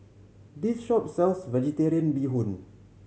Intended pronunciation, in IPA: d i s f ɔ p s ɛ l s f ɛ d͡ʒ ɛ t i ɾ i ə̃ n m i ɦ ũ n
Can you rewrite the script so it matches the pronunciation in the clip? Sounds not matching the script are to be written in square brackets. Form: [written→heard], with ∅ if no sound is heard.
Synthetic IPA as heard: d i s [f→ʃ] ɔ p s ɛ l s [f→v] ɛ d͡ʒ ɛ t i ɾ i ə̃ n [m→b] i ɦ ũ n